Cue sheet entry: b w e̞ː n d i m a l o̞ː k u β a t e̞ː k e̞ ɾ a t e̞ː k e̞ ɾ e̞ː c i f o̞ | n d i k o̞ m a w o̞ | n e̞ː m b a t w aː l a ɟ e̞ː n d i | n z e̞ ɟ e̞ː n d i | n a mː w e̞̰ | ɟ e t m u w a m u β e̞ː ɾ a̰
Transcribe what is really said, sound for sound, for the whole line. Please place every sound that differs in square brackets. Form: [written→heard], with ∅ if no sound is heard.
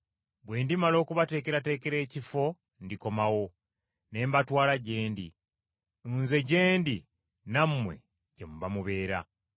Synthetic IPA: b w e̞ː n d i m a l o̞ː k u β a t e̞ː k e̞ ɾ a t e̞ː k e̞ ɾ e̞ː c i f o̞ | n d i k o̞ m a w o̞ | n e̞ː m b a t w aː l a ɟ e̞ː n d i | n z e̞ ɟ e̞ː n d i | n a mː w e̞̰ | ɟ e [t→∅] m u [w→β] a m u β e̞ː ɾ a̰